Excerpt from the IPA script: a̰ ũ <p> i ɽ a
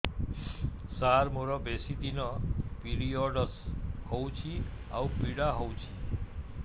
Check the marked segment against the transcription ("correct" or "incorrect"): correct